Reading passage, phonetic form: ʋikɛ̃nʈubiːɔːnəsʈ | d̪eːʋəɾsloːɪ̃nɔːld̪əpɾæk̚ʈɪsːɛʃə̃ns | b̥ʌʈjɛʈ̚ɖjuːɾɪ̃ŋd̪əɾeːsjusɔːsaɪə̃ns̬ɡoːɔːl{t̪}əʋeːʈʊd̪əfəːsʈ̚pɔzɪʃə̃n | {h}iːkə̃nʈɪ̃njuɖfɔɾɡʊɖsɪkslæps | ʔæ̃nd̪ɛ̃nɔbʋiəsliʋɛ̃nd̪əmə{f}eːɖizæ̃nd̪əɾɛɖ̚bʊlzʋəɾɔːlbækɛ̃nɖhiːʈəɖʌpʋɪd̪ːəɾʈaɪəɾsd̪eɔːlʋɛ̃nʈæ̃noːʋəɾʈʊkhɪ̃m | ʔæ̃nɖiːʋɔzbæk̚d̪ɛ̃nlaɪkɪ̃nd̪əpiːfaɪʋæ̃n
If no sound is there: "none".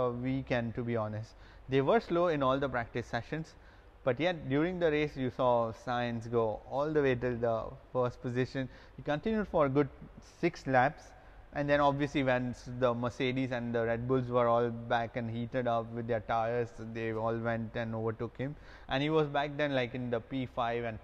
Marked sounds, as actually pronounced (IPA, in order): d̪, h, s

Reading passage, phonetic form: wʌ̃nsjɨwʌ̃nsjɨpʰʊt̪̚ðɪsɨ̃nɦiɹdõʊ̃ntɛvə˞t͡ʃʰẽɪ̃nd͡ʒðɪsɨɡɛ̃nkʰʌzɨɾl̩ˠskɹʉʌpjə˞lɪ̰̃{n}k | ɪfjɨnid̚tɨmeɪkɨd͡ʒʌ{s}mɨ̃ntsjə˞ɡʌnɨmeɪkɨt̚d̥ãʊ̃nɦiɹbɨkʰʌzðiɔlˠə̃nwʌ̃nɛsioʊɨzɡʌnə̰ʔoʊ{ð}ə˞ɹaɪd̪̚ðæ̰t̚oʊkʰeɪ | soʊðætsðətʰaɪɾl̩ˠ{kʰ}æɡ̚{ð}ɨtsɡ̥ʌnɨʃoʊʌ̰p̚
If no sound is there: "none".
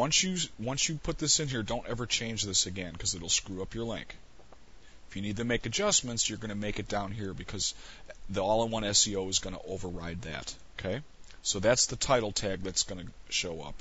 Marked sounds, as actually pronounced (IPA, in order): ŋ, s, v, tʰ, ð

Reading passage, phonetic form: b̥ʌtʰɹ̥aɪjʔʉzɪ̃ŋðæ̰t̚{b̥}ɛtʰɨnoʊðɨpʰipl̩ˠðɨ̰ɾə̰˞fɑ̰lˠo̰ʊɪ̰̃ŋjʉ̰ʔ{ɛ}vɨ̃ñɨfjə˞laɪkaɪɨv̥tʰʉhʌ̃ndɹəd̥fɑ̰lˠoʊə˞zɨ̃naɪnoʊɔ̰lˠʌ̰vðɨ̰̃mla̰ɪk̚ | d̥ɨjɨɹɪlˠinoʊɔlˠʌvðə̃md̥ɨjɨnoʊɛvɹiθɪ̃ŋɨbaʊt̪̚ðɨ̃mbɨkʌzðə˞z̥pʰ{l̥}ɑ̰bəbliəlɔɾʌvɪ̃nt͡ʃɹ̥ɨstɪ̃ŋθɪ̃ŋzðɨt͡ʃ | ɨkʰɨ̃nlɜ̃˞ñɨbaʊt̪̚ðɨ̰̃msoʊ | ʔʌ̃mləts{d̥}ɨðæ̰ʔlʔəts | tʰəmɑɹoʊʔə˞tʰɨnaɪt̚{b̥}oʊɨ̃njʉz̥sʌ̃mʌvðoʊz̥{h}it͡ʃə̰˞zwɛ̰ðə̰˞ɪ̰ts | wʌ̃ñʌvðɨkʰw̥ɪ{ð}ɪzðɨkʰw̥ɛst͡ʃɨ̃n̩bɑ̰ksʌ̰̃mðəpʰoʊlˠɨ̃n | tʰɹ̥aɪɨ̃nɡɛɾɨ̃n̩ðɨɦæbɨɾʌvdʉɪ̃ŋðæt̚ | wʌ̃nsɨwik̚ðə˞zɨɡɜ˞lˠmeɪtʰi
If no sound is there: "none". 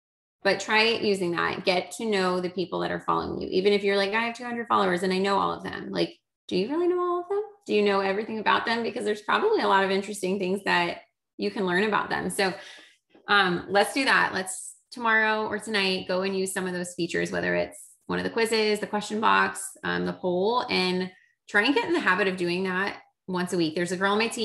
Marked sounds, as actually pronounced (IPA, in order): ɡ̥, i, ɹ̥, d̥, ɡ̥, f, z

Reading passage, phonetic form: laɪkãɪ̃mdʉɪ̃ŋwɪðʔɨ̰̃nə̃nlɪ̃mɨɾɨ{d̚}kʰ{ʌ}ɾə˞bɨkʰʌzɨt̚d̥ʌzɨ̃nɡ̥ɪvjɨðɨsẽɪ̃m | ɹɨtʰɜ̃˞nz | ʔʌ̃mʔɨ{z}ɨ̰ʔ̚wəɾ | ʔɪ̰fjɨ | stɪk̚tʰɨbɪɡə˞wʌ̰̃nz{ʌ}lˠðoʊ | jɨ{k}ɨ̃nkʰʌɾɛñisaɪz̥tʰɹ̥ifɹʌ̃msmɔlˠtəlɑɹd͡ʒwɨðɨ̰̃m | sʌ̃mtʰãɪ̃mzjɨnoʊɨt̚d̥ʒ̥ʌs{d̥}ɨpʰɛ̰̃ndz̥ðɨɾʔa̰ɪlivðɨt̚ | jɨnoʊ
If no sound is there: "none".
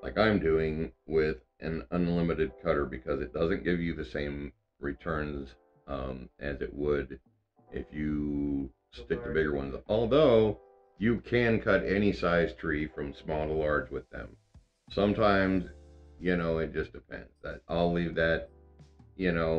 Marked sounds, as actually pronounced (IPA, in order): d̚, ʌ, z, ɔ, kʰ, d̥

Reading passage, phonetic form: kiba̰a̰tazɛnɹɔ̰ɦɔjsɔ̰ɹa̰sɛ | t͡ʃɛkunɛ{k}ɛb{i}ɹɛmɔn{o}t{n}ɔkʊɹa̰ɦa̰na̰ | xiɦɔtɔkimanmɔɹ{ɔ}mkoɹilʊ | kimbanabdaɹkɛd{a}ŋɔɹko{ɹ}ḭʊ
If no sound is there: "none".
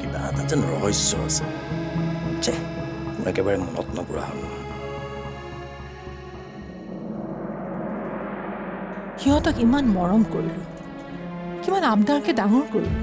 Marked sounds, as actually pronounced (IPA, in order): k, a, ɔ, n, ɔ, a, ɹ

